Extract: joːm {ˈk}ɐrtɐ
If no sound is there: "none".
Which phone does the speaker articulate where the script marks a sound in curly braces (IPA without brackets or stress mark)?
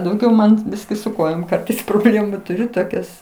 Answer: k